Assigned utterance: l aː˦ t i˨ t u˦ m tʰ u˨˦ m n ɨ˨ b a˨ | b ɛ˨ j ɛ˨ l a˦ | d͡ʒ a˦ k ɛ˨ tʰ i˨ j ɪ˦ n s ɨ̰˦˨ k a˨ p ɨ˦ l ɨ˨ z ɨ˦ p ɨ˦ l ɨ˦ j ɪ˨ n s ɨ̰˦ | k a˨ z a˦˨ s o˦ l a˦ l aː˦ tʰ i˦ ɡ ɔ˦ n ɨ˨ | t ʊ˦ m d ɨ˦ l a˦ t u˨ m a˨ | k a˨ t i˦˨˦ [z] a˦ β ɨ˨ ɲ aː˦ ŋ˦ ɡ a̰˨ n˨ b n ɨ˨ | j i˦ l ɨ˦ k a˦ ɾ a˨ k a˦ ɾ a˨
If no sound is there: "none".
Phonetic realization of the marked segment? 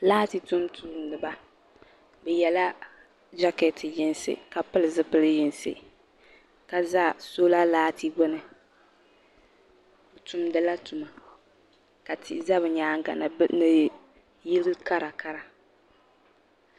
z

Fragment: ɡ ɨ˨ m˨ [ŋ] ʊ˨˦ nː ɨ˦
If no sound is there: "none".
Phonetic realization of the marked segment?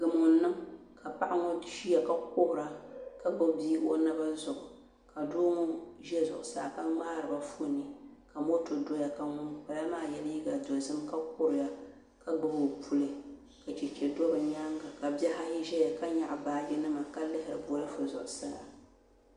ŋ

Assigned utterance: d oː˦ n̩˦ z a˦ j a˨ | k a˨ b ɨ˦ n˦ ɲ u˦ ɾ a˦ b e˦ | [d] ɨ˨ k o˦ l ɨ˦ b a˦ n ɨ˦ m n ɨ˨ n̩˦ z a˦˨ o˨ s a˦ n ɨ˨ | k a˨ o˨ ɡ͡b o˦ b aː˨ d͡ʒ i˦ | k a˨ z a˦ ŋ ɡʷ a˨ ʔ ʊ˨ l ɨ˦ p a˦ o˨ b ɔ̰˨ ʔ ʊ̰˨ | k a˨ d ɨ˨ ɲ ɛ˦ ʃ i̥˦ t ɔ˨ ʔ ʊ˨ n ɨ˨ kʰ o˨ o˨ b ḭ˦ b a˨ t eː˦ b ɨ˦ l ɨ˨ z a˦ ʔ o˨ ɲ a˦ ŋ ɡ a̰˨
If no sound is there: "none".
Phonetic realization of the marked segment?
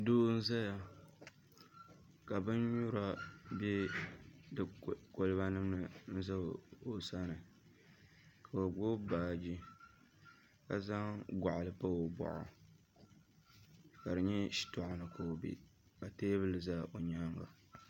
d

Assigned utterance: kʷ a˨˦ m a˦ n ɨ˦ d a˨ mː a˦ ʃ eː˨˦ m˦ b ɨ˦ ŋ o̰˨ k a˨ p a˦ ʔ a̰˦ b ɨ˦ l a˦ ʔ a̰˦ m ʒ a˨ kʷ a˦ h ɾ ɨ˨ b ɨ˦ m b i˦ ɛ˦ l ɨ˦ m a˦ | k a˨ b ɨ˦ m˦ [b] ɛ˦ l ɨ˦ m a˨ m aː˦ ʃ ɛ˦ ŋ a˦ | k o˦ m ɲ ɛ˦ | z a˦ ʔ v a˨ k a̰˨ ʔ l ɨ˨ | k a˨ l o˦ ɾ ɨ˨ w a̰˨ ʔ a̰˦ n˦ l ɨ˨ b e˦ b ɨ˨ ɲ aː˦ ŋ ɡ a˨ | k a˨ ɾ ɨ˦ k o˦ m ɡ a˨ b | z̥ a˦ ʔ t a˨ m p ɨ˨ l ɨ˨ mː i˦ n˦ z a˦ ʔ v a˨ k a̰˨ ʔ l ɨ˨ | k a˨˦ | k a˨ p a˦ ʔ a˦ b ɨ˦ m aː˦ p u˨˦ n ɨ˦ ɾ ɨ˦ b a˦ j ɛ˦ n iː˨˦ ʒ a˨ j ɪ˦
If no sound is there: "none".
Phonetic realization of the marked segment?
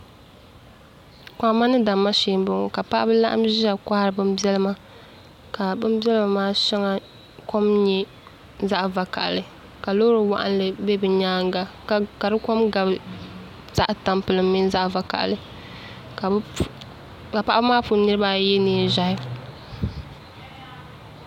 b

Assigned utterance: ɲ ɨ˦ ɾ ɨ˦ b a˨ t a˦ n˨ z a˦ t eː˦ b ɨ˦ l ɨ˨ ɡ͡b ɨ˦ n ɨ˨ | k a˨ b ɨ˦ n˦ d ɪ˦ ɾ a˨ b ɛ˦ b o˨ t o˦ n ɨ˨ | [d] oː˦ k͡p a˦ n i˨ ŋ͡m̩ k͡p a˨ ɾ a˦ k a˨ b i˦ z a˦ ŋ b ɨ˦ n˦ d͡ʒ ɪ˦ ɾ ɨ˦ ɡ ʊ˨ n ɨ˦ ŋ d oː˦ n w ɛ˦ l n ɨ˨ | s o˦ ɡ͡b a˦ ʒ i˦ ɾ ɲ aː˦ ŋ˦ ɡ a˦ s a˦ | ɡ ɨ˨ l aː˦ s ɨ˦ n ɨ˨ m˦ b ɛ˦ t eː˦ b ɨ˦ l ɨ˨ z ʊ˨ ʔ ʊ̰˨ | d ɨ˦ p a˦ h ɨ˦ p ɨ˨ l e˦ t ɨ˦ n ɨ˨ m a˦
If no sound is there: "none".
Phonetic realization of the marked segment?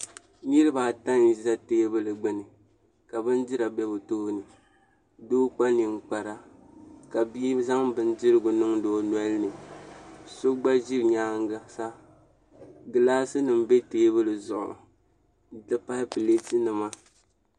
d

